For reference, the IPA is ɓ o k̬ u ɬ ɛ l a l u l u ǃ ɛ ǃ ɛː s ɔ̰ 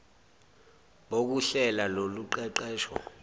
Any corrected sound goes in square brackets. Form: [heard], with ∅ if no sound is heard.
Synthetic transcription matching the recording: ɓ o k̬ u ɬ ɛ l a l [o] l u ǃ ɛ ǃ ɛː [ʃ] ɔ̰